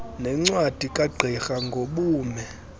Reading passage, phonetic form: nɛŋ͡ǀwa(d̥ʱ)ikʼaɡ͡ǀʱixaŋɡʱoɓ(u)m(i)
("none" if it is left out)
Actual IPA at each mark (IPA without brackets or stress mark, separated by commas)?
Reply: d̥ʱ, uː, ɛ